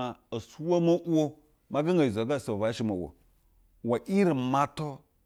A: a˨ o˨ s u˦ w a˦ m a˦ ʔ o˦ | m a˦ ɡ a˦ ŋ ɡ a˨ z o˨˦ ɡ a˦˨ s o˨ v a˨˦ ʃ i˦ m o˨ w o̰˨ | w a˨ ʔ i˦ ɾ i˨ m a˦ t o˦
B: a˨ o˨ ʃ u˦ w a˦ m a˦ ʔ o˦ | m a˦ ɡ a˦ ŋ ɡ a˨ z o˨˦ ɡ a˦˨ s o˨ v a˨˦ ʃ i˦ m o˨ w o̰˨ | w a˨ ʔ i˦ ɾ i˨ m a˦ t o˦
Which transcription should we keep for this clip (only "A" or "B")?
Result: A